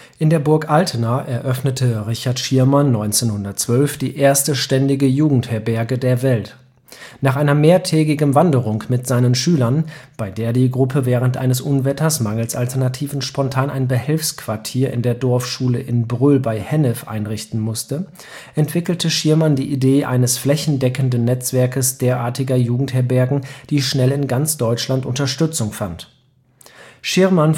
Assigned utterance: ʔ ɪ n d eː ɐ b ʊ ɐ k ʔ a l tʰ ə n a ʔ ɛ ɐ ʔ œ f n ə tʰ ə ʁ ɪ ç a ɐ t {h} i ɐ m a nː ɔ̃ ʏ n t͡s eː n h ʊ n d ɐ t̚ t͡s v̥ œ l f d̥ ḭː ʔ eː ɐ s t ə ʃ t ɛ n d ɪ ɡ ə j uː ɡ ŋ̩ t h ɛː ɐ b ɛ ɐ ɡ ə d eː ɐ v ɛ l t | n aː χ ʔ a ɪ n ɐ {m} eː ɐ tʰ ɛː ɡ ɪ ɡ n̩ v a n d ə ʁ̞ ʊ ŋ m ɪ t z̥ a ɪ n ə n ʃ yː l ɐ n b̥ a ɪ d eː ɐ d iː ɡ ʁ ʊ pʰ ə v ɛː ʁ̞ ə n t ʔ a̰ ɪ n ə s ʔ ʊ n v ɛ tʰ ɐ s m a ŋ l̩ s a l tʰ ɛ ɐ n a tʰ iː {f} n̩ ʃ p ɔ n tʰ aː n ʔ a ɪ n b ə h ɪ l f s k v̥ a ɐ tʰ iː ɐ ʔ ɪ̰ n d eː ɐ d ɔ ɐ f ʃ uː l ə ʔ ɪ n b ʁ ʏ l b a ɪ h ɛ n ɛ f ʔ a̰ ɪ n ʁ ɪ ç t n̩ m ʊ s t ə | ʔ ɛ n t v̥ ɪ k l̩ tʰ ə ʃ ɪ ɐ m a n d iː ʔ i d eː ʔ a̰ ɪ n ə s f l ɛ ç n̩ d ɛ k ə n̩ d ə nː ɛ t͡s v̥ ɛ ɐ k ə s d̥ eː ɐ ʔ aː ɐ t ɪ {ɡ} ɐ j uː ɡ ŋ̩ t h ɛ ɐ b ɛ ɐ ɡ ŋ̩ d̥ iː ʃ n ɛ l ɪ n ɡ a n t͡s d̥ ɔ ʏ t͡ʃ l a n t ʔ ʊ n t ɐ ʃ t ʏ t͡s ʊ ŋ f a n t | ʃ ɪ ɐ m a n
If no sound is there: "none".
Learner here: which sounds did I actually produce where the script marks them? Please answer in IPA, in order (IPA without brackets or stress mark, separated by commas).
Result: ʃ, m, v, ɡ